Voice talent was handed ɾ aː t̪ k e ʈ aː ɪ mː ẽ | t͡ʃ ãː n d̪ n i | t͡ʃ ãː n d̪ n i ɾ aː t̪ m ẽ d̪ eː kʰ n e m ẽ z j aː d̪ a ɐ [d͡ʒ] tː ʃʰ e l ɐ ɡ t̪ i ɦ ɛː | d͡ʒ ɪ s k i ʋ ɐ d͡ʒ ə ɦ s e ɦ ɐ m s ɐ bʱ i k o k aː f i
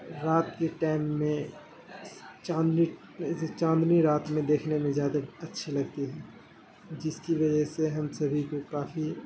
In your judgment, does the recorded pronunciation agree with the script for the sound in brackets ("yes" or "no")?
no